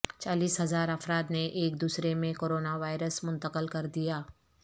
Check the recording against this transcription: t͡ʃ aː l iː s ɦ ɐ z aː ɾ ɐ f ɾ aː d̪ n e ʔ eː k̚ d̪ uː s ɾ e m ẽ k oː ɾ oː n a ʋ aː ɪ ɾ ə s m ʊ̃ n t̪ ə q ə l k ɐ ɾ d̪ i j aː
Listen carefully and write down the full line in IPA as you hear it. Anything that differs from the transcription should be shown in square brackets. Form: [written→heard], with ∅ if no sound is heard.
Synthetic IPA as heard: t͡ʃ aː l iː s ɦ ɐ z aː ɾ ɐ f ɾ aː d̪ n e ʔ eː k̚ d̪ uː s ɾ e m ẽ k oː ɾ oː n a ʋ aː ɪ ɾ ə s m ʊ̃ n t̪ ə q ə l k ɐ ɾ d̪ i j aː